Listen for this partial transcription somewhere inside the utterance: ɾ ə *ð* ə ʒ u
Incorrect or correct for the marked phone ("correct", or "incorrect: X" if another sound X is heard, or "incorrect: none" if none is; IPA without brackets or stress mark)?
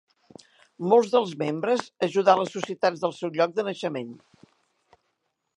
incorrect: z